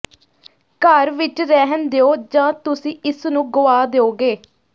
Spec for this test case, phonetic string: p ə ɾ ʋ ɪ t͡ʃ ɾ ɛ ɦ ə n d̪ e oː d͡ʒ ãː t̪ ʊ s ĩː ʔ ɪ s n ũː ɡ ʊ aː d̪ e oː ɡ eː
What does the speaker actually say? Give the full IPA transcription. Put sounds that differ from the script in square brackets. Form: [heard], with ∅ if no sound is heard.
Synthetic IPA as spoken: [k] ə ɾ ʋ ɪ t͡ʃ ɾ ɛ ɦ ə n d̪ e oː d͡ʒ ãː t̪ ʊ s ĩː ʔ ɪ s n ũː ɡ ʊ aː d̪ e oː ɡ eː